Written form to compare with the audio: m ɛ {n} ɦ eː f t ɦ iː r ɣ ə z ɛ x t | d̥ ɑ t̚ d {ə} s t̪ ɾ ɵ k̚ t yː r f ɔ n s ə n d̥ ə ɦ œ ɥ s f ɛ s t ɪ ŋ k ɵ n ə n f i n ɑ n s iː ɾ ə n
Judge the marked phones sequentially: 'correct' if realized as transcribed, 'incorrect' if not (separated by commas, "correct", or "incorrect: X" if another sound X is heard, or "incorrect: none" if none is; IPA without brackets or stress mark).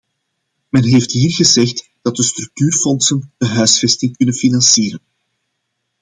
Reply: correct, correct